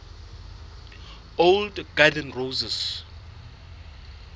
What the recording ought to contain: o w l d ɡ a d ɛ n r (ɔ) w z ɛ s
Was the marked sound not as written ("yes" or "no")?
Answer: yes